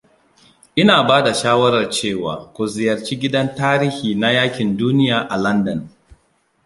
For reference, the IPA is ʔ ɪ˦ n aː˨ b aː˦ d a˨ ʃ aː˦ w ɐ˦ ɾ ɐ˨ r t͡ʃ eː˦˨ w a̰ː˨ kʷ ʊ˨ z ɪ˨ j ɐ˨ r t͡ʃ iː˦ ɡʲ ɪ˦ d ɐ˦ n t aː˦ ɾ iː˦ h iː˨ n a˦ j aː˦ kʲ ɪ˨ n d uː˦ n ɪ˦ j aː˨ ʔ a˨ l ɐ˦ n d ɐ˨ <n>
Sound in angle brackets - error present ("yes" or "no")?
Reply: no